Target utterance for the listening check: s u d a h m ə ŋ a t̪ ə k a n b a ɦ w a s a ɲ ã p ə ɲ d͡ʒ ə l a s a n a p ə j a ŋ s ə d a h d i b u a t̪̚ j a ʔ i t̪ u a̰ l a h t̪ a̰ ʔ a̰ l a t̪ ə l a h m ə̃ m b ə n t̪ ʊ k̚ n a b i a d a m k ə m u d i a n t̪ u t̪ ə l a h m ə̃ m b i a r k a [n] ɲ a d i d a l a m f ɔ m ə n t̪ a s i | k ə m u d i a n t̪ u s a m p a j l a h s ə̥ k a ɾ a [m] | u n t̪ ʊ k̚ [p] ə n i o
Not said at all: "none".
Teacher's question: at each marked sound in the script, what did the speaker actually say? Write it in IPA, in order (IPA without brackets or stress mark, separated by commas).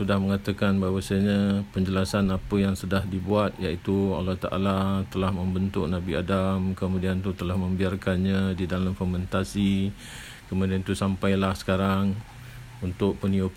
n, ŋ, p